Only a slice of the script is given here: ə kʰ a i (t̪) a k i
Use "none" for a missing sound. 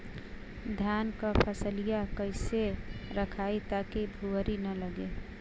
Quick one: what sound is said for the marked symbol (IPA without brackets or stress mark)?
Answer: t̪